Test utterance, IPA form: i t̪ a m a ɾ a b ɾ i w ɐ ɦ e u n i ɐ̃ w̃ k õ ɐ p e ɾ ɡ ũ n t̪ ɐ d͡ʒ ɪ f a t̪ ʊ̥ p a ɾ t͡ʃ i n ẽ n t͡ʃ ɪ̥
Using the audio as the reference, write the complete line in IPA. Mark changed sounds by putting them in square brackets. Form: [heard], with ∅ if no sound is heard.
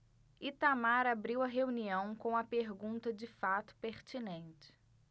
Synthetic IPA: i t̪ a m a ɾ a b ɾ i w ɐ ɦ e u n i ɐ̃ w̃ k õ ɐ p e ɾ ɡ ũ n t̪ ɐ d͡ʒ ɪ f a t̪ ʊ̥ p [e] ɾ t͡ʃ i n ẽ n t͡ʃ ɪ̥